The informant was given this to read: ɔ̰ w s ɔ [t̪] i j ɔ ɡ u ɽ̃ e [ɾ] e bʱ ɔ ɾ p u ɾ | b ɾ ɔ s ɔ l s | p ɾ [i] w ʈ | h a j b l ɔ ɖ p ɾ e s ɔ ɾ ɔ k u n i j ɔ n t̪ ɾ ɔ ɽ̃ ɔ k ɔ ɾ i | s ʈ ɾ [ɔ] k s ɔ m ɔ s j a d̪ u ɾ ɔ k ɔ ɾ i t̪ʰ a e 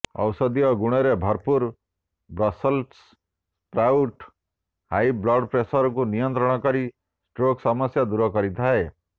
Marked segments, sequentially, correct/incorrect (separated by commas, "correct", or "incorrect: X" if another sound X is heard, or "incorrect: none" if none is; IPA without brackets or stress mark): incorrect: d̪, correct, incorrect: a, incorrect: o